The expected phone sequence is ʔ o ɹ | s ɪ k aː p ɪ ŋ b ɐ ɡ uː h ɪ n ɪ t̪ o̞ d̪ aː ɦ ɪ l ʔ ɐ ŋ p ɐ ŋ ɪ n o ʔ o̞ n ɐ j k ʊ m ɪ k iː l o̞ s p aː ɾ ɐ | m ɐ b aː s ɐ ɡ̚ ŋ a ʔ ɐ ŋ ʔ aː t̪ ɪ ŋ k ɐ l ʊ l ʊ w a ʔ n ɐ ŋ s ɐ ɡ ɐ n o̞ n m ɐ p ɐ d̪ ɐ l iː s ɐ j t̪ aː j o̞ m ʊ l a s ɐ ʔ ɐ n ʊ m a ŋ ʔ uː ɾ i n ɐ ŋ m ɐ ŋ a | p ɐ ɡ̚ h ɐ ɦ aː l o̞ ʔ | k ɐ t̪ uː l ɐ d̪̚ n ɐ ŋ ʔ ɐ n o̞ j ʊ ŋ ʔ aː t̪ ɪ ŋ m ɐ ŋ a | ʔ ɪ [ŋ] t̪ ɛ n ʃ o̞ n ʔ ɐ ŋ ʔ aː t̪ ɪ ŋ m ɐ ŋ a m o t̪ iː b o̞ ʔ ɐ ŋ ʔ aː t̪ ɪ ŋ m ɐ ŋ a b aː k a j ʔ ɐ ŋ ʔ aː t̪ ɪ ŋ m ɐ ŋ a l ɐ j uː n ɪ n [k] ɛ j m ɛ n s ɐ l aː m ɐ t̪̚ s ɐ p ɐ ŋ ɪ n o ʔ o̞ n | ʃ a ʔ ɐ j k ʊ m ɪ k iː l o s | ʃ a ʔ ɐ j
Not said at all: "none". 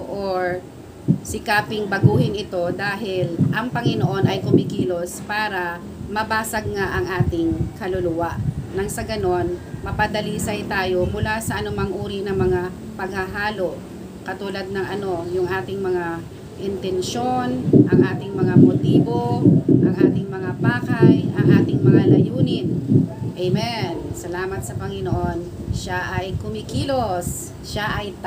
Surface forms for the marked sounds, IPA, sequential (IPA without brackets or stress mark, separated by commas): n, ʔ